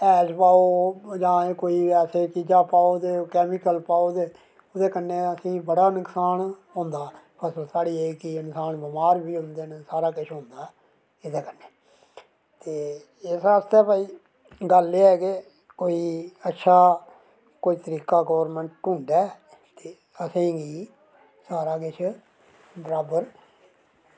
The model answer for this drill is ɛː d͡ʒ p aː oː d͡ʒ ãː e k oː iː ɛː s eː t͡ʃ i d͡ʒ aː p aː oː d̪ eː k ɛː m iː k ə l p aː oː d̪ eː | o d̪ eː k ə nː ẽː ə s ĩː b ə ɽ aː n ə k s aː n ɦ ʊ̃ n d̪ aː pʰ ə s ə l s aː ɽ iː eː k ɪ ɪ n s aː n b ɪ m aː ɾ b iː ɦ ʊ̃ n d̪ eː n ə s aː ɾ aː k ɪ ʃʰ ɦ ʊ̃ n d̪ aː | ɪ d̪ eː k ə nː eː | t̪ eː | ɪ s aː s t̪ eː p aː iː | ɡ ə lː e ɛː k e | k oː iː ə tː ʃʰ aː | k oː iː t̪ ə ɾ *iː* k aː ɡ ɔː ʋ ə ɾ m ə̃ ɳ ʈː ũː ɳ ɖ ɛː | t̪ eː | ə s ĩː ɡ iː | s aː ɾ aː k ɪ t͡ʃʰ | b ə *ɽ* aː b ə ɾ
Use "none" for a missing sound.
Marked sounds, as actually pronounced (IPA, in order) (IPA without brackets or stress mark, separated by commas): iː, ɾ